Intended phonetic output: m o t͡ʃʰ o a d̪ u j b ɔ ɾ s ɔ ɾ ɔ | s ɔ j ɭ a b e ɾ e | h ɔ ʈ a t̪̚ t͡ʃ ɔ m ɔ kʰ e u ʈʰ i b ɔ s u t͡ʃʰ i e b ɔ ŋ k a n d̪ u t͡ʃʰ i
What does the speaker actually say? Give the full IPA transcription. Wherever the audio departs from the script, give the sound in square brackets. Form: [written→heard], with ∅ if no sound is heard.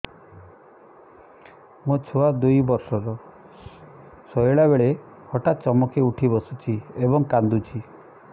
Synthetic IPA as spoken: m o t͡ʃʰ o a d̪ u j b ɔ ɾ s ɔ ɾ ɔ | s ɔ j ɭ a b e [ɾ→ɭ] e | h ɔ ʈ a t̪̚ t͡ʃ ɔ m ɔ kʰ e u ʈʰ i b ɔ s u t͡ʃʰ i e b ɔ ŋ k a n d̪ u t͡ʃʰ i

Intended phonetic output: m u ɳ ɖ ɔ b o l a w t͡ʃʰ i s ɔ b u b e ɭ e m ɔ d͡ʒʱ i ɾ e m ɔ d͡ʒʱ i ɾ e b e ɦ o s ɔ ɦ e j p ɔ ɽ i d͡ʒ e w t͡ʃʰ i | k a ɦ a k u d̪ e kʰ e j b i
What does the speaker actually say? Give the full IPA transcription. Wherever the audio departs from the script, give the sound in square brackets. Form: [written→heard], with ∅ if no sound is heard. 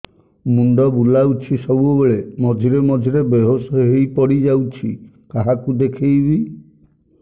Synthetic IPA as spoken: m u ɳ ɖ ɔ b [o→u] l a w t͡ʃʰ i s ɔ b u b e ɭ e m ɔ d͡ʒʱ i ɾ e m ɔ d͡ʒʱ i ɾ e b e ɦ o s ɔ ɦ e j p ɔ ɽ i d͡ʒ [e→a] w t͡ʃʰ i | k a ɦ a k u d̪ e kʰ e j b i

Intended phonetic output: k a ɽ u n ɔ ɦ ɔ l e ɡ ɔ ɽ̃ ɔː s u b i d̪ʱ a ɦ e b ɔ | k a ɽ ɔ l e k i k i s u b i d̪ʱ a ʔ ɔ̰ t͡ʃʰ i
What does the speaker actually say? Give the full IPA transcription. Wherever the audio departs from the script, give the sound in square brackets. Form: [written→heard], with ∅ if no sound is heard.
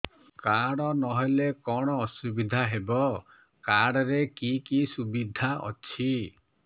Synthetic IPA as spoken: k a ɽ [u→ɔ] n ɔ ɦ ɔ l e [ɡ→k] ɔ ɽ̃ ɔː s u b i d̪ʱ a ɦ e b ɔ | k a ɽ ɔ [l→ɾ] e k i k i s u b i d̪ʱ a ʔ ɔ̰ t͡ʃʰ i

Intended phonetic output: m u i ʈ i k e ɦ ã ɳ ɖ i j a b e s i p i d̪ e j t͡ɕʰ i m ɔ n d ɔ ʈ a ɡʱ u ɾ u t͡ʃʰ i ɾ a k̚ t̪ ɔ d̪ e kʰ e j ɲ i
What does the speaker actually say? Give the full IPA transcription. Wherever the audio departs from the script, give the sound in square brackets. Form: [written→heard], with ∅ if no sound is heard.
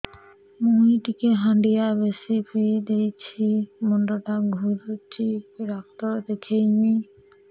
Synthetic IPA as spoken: m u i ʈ i k e ɦ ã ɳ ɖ i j a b e s i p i d̪ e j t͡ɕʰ i m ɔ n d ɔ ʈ a ɡʱ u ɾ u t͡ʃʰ i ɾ a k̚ t̪ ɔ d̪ e kʰ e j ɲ i

